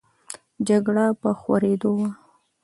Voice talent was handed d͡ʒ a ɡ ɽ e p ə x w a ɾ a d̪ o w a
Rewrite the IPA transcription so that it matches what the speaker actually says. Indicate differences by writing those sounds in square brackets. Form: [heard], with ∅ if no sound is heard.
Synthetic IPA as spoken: d͡ʒ a ɡ ɽ [a] p ə x w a ɾ [e] d̪ o w a